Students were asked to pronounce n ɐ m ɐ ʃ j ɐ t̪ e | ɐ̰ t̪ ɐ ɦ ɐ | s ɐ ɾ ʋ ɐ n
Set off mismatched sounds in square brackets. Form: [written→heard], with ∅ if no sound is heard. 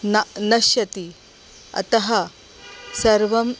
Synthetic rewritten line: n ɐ [m→n] ɐ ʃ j ɐ t̪ [e→i] | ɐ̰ t̪ ɐ ɦ ɐ | s ɐ ɾ ʋ ɐ [n→m]

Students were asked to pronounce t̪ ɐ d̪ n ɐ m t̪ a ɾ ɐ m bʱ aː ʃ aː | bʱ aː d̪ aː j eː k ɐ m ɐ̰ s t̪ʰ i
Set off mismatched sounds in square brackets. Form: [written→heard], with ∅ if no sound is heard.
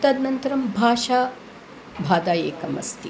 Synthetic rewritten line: t̪ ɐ d̪ n ɐ [m→n] t̪ [a→ɐ] ɾ ɐ m bʱ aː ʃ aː | bʱ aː d̪ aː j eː k ɐ m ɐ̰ s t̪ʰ i

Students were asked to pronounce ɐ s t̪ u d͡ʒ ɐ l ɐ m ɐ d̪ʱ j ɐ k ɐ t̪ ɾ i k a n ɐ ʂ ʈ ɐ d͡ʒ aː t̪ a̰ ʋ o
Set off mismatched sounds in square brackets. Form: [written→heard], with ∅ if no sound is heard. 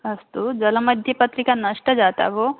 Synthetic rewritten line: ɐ s t̪ u d͡ʒ ɐ l ɐ m ɐ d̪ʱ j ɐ [k→p] ɐ t̪ ɾ i k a n ɐ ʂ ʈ ɐ d͡ʒ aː t̪ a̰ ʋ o

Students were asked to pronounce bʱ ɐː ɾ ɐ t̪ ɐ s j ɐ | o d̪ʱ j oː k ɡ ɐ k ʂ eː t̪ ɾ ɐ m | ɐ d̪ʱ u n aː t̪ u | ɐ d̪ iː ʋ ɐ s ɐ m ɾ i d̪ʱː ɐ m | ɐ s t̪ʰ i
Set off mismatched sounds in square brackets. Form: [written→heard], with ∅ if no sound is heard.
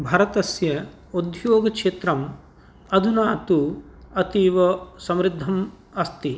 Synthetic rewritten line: bʱ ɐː ɾ ɐ t̪ ɐ s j ɐ | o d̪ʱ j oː [k→∅] ɡ ɐ k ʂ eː t̪ ɾ ɐ m | ɐ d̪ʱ u n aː t̪ u | ɐ [d̪→t̪] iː ʋ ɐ s ɐ m ɾ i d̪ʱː ɐ m | ɐ s [t̪ʰ→t̪] i

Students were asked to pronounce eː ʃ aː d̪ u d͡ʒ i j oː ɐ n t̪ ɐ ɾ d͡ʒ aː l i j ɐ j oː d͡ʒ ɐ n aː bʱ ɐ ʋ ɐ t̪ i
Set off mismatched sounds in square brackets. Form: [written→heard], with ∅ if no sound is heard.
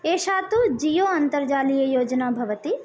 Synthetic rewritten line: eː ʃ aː [d̪→t̪] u d͡ʒ i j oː ɐ n t̪ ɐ ɾ d͡ʒ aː l i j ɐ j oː d͡ʒ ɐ n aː bʱ ɐ ʋ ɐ t̪ i

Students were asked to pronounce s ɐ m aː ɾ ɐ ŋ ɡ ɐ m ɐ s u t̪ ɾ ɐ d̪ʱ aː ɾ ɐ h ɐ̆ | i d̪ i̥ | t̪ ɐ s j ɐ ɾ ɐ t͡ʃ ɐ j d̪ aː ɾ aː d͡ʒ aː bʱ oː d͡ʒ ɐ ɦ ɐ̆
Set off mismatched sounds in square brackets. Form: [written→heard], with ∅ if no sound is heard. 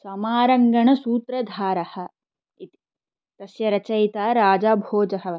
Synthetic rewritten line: s ɐ m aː ɾ ɐ ŋ ɡ ɐ [m→ɳ] ɐ s [u→uː] t̪ ɾ ɐ d̪ʱ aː ɾ ɐ h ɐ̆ | i [d̪→t̪] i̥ | t̪ ɐ s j ɐ ɾ ɐ t͡ʃ ɐ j [d̪→t̪] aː ɾ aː d͡ʒ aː bʱ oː d͡ʒ ɐ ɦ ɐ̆

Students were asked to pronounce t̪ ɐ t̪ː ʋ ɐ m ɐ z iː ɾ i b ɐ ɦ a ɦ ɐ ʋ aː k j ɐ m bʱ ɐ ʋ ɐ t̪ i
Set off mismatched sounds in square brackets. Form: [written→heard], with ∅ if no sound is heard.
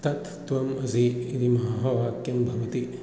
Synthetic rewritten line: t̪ ɐ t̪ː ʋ ɐ m ɐ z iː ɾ i [b→m] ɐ ɦ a ɦ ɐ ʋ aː k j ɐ m bʱ ɐ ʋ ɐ t̪ i

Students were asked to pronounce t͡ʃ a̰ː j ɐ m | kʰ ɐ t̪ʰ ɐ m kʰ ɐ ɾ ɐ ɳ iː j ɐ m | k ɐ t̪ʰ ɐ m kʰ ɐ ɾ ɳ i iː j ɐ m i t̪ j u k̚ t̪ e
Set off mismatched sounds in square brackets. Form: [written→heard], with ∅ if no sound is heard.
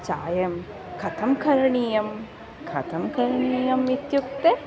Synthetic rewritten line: t͡ʃ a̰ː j ɐ m | kʰ ɐ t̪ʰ ɐ m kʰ ɐ ɾ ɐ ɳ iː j ɐ m | [k→kʰ] ɐ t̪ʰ ɐ m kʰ ɐ ɾ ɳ i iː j ɐ m i t̪ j u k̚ t̪ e

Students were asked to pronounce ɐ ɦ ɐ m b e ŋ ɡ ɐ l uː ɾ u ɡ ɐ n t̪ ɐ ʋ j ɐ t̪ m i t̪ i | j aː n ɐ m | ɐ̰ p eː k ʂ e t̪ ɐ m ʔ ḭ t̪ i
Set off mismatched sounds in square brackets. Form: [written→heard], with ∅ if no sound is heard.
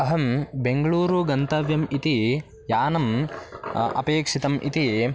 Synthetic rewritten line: ɐ ɦ ɐ m b e ŋ ɡ ɐ [l→ɭ] uː ɾ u ɡ ɐ n t̪ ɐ ʋ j ɐ [t̪→∅] m i t̪ i | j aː n ɐ m | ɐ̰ p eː k ʂ [e→i] t̪ ɐ m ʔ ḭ t̪ i

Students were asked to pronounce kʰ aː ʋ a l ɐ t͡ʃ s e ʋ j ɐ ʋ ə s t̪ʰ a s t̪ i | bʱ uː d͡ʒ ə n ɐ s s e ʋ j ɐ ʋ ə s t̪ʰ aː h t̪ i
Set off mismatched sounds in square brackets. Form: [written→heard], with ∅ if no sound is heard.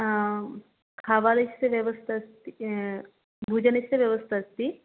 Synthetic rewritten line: kʰ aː ʋ a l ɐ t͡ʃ s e ʋ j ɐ ʋ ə s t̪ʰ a s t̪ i | bʱ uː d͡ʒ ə n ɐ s s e ʋ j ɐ ʋ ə s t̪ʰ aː [h→s] t̪ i

